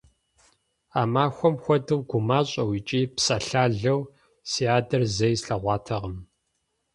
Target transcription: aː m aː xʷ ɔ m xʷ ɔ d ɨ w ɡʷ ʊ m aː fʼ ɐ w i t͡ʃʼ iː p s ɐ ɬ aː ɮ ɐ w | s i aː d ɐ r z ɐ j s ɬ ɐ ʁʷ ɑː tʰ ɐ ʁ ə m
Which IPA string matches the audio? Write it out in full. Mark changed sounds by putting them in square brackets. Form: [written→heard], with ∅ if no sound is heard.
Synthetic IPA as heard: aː m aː xʷ ɔ m xʷ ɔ d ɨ w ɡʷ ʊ m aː [fʼ→ɕʼ] ɐ w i t͡ʃʼ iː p s ɐ ɬ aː ɮ ɐ w | s i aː d ɐ r z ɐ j s ɬ ɐ ʁʷ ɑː tʰ ɐ ʁ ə m